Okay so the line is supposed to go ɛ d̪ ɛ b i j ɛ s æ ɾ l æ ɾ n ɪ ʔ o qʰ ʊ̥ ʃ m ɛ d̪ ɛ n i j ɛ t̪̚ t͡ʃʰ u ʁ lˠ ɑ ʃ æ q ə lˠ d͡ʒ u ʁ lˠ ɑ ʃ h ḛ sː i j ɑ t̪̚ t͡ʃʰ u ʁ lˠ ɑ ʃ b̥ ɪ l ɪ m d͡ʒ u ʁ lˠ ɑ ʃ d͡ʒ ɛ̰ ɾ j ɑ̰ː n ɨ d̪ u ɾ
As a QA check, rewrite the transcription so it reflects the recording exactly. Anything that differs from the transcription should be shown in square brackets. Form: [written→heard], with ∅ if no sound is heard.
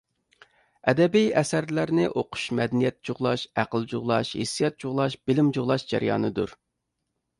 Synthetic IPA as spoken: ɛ d̪ ɛ b i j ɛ s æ ɾ l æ ɾ n ɪ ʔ o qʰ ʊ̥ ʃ m ɛ d̪ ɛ n i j ɛ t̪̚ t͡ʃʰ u ʁ lˠ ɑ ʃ æ q ə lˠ d͡ʒ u ʁ lˠ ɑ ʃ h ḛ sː i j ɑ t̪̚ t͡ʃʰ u ʁ lˠ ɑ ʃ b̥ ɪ l ɪ m d͡ʒ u ʁ lˠ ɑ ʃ d͡ʒ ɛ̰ ɾ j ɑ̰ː n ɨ d̪ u ɾ